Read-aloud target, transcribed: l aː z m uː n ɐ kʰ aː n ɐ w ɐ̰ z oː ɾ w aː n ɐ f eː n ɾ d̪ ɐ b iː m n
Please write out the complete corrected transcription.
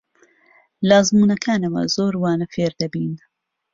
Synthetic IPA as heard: l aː z m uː n ɐ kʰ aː n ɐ w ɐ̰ z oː ɾ w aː n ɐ f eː ɾ d̪ ɐ b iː n

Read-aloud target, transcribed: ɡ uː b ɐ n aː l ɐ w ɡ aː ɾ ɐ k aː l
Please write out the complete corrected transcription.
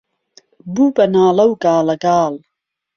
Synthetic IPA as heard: b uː b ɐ n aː l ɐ w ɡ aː l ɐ ɡ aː l

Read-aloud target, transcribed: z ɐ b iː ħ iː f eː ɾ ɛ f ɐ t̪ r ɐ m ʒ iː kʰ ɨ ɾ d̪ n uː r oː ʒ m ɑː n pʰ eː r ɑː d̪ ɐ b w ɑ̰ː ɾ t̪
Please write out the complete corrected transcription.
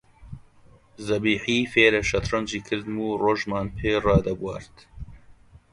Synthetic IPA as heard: z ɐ b iː ħ iː f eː ɾ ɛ ʃ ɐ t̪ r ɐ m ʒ iː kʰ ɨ ɾ d̪ m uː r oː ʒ m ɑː n pʰ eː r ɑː d̪ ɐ b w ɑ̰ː ɾ t̪

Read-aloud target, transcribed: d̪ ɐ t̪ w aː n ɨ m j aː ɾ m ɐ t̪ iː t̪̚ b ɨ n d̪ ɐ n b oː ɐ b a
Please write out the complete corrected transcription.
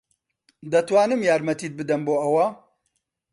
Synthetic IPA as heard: d̪ ɐ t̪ w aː n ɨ m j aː ɾ m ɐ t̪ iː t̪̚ b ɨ d̪ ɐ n b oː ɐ w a

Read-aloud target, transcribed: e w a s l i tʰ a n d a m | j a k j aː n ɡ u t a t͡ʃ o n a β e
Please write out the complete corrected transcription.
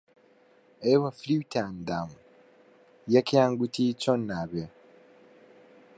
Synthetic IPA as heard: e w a f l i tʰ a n d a m | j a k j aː ŋ ɡ u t i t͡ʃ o n a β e

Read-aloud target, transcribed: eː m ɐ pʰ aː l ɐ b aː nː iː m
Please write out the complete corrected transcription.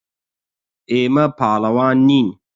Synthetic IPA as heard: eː m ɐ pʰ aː l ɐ w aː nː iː n

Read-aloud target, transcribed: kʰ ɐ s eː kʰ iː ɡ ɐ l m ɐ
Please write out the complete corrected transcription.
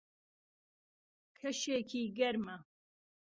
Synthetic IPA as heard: kʰ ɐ ʃ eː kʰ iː ɡ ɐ ɾ m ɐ

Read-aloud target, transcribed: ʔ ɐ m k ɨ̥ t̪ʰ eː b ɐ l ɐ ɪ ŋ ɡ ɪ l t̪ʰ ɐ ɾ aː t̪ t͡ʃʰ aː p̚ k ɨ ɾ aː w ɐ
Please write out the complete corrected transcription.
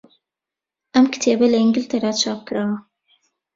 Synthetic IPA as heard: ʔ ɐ m k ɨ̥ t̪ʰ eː b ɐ l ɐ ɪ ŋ ɡ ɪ l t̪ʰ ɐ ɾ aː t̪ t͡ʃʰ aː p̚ k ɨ ɾ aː w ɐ

